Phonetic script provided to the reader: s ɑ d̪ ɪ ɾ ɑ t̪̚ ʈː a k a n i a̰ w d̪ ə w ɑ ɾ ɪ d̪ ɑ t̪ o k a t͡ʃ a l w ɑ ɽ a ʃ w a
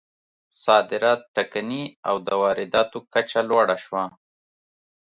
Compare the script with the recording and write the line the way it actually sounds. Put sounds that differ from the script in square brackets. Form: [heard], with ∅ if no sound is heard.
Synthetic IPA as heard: s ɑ d̪ ɪ ɾ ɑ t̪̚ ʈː a k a n i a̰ w d̪ ə w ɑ ɾ ɪ d̪ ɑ t̪ o k a t͡ʃ a l w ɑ ɽ a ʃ w a